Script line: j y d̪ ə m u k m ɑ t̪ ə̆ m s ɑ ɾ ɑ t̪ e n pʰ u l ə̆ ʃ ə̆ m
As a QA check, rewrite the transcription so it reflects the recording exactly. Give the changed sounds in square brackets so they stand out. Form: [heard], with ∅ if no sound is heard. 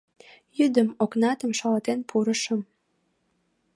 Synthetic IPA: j y d̪ ə m [o] k [n] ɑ t̪ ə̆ m [ʃ] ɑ [l] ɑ t̪ e n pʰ u [ɾ] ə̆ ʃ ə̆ m